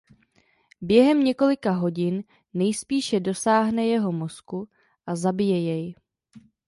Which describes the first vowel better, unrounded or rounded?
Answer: unrounded